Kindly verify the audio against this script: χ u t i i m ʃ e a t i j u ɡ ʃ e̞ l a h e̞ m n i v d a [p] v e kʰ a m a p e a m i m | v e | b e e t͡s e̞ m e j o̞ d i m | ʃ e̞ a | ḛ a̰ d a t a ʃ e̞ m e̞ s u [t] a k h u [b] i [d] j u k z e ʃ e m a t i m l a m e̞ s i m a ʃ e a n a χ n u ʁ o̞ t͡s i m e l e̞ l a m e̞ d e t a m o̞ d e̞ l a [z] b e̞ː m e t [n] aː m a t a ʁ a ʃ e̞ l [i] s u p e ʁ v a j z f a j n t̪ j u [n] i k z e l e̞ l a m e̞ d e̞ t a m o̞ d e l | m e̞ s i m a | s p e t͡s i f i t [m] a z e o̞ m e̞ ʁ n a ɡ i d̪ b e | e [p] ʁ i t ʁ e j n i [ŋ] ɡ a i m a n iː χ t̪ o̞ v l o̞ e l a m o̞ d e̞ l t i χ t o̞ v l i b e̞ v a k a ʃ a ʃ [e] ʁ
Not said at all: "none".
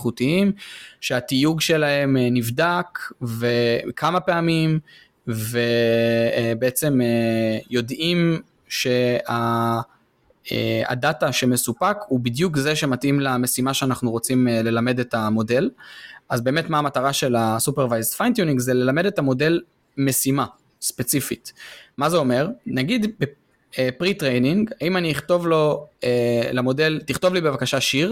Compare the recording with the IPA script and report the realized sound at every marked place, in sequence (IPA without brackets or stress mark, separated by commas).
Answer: k, p, b, d, z, m, a, n, m, p, ŋ, i